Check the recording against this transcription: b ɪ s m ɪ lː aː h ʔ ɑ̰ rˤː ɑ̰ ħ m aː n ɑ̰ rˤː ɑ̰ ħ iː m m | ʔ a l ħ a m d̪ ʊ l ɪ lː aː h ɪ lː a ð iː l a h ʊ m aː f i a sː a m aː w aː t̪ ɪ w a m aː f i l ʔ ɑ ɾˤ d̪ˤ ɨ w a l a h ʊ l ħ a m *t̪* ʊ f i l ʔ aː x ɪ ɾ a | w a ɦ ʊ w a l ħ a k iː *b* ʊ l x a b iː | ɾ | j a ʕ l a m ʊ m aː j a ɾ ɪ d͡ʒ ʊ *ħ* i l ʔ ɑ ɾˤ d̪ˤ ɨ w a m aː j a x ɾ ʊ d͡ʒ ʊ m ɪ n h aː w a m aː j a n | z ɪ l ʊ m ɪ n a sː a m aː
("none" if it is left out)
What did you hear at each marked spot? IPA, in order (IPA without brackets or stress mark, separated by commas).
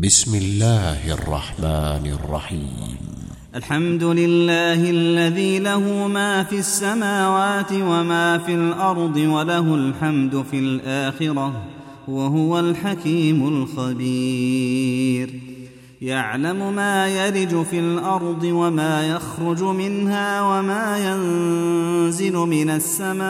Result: d̪, m, f